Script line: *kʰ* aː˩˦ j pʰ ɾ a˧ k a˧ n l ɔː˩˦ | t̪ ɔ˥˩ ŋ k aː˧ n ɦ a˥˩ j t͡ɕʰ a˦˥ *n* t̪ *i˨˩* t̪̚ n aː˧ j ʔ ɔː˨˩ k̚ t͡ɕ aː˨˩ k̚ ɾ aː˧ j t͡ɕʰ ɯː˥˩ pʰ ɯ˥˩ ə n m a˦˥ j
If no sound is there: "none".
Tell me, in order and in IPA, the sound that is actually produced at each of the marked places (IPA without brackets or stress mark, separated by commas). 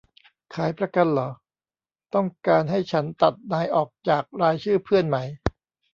kʰ, n, a˨˩